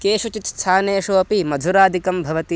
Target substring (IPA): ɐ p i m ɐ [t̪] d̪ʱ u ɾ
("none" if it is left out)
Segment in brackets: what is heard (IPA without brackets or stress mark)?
none